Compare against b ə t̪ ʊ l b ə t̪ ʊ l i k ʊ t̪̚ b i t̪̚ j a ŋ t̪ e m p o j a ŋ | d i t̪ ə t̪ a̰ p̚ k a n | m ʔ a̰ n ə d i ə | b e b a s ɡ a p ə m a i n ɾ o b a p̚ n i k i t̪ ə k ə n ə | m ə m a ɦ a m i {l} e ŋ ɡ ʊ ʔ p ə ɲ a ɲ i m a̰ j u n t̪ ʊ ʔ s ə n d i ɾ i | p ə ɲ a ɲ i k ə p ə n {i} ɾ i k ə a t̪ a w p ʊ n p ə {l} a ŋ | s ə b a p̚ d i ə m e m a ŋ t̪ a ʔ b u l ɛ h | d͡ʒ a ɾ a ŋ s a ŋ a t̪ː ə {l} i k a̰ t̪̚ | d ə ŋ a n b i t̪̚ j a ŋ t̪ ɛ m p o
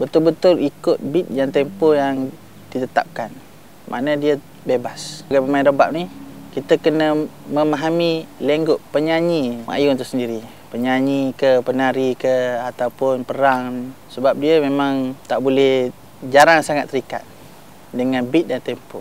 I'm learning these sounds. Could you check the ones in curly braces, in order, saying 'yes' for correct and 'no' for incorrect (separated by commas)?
yes, no, no, no